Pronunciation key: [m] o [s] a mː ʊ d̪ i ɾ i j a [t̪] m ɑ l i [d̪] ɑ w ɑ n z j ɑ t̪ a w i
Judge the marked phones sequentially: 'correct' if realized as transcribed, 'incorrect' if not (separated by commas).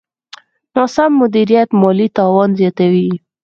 incorrect, correct, correct, incorrect